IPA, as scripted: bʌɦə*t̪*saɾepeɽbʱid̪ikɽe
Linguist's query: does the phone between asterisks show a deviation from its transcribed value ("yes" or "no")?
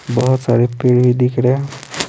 no